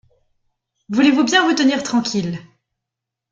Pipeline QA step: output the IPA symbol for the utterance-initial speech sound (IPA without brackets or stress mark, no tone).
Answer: v